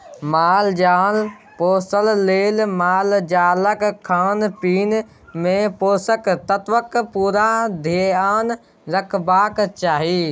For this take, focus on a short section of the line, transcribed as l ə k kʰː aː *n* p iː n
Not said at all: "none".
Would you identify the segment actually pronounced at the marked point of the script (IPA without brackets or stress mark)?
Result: n